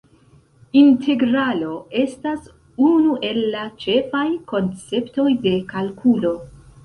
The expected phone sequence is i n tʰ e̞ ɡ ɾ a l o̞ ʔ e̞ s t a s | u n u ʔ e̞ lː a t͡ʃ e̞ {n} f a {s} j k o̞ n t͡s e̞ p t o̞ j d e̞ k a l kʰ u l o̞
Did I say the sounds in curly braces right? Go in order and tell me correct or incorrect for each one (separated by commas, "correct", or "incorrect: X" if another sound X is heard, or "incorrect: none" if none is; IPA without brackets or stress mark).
incorrect: none, incorrect: none